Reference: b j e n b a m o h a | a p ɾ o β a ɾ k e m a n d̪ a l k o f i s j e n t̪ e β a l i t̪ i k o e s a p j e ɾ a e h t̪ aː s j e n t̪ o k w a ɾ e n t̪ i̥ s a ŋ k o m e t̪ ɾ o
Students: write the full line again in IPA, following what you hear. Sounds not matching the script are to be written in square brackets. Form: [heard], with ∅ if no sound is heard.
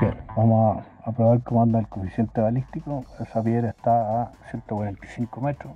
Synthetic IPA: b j e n b a m o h a | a p ɾ o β a ɾ k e m a n d̪ a l k o f i s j e n t̪ e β a l i t̪ i k o e s a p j e ɾ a e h t̪ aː s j e n t̪ o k w a ɾ e n t̪ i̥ s [i] ŋ k o m e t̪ ɾ o